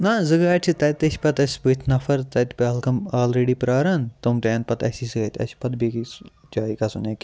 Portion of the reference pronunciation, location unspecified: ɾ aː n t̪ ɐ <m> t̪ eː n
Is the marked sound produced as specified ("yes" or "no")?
yes